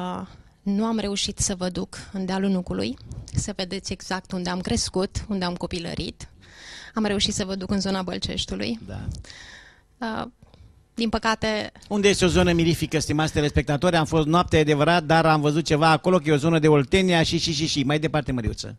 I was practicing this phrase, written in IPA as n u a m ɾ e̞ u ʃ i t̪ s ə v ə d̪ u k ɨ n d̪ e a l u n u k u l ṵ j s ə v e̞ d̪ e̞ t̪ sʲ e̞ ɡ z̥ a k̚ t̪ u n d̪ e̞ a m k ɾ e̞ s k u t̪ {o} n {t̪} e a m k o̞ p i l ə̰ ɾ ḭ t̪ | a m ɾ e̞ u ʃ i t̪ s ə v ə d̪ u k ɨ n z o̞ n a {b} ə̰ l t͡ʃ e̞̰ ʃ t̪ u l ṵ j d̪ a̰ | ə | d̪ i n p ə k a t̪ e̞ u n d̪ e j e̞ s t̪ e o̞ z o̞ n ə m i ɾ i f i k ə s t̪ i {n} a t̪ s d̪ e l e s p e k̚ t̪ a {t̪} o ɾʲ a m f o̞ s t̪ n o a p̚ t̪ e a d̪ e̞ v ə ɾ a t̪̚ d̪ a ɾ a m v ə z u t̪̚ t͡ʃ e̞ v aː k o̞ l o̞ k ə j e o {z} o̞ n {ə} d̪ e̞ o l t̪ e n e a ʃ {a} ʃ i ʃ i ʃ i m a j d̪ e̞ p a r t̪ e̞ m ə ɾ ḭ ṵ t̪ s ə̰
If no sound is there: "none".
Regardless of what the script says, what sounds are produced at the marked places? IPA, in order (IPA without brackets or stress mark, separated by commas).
u, d̪, b, m, t̪, z, ə, i